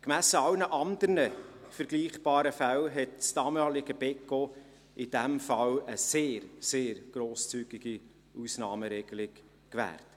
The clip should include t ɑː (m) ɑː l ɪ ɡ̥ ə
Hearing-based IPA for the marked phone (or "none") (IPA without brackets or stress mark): m